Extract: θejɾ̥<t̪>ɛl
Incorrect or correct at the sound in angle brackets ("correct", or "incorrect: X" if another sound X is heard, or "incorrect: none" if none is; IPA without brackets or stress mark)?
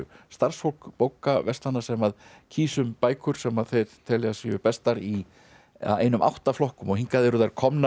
incorrect: t̪ʰ